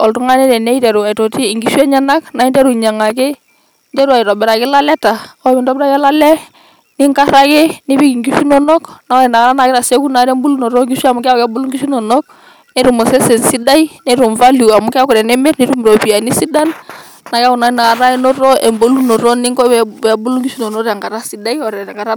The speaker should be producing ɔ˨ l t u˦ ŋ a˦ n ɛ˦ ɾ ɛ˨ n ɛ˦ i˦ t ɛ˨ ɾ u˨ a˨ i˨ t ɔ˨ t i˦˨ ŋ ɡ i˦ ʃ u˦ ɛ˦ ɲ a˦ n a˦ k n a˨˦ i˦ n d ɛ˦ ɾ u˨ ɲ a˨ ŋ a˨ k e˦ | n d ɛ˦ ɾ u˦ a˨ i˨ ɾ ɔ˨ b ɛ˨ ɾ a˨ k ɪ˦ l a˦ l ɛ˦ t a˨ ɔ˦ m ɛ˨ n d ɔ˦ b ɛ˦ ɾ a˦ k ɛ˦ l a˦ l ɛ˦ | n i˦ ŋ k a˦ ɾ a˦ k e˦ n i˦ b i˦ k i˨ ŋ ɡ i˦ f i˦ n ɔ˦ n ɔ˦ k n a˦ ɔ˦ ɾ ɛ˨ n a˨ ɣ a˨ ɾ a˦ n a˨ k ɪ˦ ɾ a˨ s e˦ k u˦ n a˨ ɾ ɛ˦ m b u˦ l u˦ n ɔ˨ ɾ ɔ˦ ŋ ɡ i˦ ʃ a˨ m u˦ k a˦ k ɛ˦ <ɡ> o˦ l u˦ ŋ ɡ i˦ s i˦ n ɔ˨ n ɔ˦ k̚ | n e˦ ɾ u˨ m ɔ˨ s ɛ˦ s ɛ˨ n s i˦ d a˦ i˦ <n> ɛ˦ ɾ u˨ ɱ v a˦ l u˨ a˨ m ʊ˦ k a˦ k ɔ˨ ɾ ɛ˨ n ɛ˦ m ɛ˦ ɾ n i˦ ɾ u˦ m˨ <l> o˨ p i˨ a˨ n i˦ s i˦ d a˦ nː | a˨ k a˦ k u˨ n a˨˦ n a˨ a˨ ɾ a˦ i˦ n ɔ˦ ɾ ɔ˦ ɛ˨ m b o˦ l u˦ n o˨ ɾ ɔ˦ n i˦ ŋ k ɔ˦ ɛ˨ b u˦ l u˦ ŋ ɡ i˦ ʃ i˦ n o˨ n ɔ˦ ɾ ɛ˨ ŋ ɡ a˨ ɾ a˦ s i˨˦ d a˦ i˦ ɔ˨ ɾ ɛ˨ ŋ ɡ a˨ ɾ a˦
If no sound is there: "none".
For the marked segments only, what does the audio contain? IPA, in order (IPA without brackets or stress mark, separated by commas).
b, n, ɾ